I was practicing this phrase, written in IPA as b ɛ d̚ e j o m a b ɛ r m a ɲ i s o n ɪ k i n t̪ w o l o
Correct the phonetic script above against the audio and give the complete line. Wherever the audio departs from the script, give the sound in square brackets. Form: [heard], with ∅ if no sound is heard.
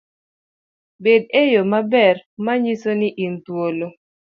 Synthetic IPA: b [e] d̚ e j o m a b ɛ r m a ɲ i s o n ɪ [ʔ] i n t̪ w o l o